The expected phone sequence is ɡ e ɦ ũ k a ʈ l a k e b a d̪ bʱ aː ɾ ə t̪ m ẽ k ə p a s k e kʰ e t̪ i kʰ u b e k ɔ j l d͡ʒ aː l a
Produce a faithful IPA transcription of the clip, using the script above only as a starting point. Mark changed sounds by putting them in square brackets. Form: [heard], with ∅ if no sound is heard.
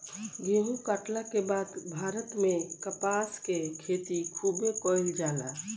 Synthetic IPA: ɡ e ɦ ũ k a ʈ l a k e b a d̪ bʱ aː ɾ ə t̪ m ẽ k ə p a s k e kʰ e t̪ i kʰ u b e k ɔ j l d͡ʒ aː l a